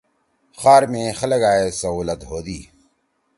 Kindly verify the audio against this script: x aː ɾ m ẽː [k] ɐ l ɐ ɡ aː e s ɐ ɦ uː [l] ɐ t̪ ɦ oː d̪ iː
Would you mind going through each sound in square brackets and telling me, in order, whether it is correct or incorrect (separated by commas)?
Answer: incorrect, correct